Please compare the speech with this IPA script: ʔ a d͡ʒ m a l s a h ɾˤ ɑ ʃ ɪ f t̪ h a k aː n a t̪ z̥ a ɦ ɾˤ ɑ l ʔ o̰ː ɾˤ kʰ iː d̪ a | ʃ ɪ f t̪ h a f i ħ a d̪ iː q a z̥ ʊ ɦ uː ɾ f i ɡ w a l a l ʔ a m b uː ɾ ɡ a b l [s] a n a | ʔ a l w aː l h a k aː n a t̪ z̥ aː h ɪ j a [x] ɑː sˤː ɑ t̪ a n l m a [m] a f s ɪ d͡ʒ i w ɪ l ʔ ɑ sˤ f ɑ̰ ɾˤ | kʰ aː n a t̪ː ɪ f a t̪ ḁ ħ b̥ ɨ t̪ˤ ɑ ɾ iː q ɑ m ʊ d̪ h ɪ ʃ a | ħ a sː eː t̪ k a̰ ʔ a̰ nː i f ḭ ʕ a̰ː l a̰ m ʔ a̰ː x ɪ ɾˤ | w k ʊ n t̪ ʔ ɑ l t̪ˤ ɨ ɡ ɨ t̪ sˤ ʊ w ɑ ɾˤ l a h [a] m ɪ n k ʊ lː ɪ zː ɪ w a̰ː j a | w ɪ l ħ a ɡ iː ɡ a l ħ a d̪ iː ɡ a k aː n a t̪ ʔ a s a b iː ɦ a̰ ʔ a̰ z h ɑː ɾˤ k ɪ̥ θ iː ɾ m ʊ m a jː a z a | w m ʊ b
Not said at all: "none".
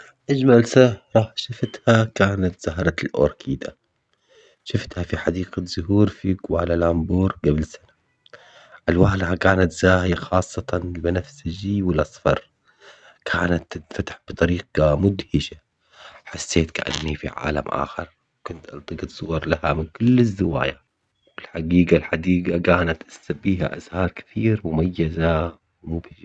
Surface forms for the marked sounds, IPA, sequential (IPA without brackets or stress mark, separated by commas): s, x, n, a